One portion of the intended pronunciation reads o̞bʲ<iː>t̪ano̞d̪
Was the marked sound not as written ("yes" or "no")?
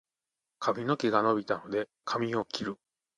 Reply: yes